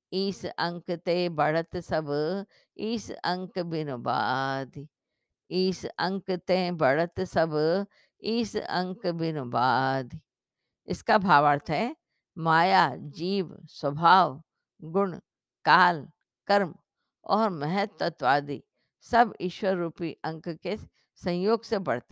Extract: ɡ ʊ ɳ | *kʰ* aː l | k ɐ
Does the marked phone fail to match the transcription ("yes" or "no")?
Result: yes